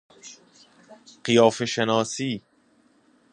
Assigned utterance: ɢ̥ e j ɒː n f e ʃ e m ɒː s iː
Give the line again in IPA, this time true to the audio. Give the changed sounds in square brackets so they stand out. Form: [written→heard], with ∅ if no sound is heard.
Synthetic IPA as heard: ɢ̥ [e→i] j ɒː [n→∅] f e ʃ e [m→n] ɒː s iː

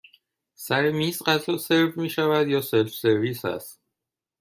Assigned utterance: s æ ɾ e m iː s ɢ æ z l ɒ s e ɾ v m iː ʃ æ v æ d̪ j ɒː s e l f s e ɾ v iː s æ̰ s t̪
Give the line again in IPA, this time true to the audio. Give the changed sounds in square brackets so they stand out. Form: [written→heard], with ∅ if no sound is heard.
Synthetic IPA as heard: s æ ɾ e m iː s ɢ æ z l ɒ s e ɾ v m iː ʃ æ v æ d̪ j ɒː s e l f s e ɾ v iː s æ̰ s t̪

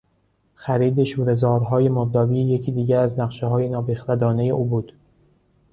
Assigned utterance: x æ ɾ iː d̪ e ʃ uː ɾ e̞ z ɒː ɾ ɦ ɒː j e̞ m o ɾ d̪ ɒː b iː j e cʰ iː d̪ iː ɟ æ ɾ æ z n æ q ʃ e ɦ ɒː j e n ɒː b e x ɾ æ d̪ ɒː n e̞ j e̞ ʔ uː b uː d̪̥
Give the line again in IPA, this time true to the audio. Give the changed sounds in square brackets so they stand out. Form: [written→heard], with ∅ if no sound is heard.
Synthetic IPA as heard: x æ ɾ iː d̪ e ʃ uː ɾ e̞ z ɒː ɾ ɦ ɒː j e̞ m o ɾ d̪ ɒː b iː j e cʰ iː d̪ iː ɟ æ ɾ æ z n æ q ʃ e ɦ ɒː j e n ɒː b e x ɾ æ d̪ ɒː n e̞ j e̞ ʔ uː b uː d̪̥

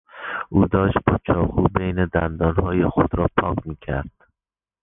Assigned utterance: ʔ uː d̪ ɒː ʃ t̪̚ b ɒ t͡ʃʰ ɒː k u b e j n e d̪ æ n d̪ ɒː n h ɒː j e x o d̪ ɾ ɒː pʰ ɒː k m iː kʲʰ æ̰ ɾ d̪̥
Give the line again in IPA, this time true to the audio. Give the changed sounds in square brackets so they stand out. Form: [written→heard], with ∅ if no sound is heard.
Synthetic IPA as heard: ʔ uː d̪ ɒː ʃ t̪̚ b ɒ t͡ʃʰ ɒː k u b e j n e d̪ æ n d̪ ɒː n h ɒː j e x o d̪ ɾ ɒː pʰ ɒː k m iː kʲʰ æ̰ ɾ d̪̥

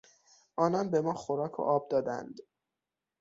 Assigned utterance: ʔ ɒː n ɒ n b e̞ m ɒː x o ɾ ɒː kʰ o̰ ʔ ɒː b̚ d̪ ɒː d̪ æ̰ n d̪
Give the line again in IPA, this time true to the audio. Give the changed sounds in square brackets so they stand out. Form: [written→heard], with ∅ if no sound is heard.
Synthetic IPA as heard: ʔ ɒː n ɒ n b e̞ m ɒː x o ɾ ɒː kʰ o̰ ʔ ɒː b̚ d̪ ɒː d̪ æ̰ n d̪

